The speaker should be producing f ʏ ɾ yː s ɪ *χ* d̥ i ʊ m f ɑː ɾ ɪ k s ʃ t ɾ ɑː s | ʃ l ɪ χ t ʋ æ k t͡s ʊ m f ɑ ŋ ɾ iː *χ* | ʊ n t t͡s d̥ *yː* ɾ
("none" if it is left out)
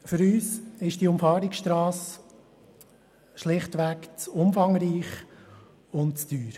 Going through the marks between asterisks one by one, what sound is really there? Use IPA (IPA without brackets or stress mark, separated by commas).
ʃ, χ, yː